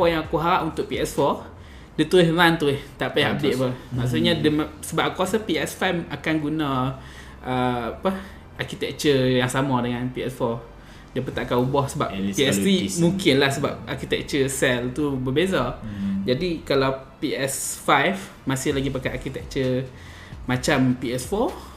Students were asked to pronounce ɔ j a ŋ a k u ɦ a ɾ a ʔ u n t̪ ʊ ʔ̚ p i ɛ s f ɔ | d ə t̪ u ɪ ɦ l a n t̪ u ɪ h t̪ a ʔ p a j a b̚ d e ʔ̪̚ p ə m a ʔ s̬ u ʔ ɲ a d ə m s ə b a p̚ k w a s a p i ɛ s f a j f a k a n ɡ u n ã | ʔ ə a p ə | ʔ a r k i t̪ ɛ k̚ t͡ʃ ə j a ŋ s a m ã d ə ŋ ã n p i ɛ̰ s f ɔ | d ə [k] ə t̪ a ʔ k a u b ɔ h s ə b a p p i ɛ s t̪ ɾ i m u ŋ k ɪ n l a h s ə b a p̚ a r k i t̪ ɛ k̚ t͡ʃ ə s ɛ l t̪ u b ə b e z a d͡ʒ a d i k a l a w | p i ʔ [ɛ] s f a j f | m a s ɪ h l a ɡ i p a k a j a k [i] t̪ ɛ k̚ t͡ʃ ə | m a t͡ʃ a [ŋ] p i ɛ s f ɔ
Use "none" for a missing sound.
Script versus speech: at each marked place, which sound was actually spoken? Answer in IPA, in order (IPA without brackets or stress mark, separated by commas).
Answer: p, ɛ, i, m